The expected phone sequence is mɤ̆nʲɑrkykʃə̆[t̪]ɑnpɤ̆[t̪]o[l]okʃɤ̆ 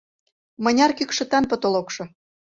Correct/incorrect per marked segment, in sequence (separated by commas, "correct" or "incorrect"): correct, correct, correct